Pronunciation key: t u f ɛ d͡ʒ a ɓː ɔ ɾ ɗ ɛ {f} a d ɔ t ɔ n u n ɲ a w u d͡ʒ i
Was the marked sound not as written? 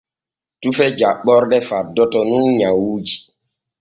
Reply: no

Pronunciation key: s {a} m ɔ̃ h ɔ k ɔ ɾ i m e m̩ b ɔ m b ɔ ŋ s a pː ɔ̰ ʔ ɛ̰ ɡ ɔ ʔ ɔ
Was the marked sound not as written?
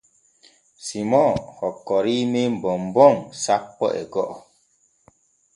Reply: yes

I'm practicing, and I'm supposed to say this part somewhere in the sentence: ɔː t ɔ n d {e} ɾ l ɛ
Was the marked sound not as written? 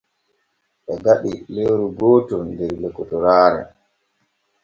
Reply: yes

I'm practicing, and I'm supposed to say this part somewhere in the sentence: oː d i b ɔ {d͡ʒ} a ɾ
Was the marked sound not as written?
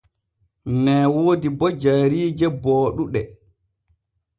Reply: no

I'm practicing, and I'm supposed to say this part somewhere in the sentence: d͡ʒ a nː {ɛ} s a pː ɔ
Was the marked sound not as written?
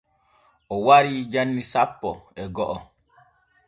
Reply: yes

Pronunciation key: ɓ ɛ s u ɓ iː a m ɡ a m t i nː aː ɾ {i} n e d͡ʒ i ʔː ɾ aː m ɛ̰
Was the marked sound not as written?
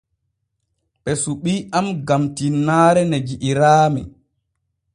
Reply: yes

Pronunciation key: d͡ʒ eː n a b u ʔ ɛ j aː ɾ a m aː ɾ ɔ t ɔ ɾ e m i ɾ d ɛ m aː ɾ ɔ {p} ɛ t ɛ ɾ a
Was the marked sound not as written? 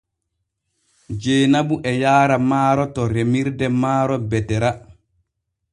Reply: yes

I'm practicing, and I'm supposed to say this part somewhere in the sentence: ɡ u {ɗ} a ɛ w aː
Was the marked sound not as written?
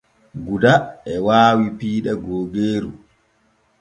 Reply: yes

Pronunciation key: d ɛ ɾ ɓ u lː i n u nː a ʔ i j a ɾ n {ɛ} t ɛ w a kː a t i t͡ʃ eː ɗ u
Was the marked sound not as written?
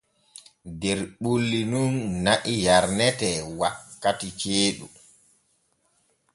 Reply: no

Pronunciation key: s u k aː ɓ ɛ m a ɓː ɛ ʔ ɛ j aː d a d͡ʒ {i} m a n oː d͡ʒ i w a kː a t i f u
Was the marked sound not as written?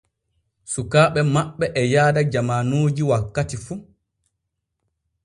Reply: yes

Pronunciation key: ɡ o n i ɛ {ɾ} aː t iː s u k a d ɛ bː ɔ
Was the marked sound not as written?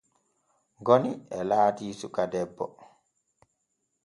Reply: yes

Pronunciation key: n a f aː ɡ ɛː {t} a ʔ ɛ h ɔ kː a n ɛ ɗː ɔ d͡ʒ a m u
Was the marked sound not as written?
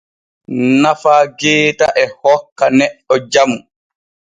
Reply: no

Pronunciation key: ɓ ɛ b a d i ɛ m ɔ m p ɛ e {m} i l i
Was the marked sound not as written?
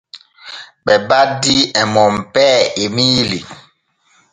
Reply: no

